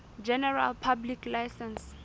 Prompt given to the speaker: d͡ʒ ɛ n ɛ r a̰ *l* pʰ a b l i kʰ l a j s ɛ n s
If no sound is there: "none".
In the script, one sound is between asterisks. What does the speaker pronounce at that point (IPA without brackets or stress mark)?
l